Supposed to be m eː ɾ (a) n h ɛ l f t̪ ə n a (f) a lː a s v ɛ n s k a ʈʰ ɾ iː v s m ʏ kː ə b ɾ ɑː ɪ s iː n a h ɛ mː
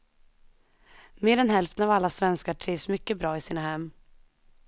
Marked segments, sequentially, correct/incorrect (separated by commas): incorrect, incorrect